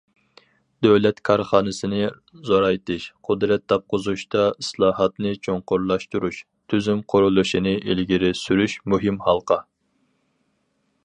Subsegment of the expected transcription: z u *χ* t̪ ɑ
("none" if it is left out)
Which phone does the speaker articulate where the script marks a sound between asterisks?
ʃ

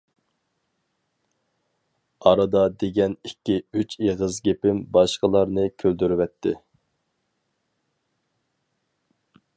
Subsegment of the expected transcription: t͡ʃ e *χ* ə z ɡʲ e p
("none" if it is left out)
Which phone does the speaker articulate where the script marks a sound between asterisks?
ʁ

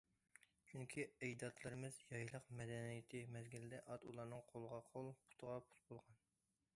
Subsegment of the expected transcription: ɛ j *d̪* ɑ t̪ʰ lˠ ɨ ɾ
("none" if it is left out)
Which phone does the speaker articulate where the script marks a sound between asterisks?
d̪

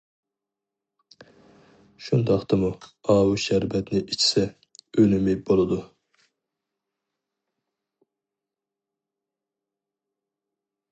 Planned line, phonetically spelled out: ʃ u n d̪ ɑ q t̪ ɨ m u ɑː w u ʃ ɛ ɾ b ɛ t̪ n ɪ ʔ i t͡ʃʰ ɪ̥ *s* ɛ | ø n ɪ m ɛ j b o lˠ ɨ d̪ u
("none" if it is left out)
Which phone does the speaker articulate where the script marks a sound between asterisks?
s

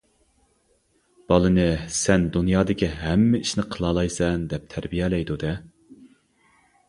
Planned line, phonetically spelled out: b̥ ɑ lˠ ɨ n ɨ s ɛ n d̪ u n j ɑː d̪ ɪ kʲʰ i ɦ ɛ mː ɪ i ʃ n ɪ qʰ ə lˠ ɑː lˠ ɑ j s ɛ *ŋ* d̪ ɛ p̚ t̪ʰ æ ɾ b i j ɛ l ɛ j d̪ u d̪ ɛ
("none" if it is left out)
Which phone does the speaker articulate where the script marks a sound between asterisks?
n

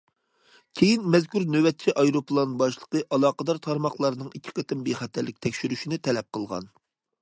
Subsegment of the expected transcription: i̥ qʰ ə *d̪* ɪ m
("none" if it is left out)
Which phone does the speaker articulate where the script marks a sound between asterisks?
t̪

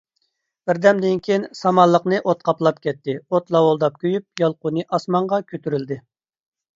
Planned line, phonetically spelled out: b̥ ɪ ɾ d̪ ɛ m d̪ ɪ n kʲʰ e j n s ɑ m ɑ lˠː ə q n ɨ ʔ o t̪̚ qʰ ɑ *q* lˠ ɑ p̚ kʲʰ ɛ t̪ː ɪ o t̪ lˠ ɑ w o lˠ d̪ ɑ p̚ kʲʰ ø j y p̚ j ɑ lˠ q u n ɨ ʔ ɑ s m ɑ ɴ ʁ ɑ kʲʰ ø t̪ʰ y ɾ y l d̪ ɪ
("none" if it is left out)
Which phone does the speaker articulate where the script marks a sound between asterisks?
p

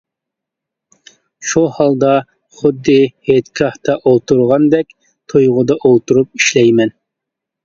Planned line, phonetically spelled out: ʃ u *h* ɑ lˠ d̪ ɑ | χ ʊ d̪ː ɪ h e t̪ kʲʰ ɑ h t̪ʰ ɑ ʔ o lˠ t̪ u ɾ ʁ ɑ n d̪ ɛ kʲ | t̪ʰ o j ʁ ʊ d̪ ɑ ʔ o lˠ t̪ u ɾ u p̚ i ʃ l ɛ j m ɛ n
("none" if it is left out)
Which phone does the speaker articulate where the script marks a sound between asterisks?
h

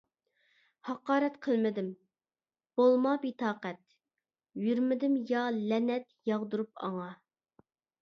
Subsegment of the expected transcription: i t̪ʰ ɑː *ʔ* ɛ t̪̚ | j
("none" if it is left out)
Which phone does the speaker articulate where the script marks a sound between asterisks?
q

